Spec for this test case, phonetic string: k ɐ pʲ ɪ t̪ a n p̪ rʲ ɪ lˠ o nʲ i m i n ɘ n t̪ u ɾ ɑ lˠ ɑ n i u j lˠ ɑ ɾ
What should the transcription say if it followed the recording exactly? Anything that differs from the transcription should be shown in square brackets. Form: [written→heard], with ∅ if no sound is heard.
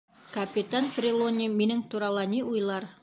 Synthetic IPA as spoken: k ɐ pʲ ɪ t̪ a n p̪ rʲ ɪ lˠ o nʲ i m i n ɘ [n→ŋ] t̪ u ɾ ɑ lˠ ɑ n i u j lˠ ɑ ɾ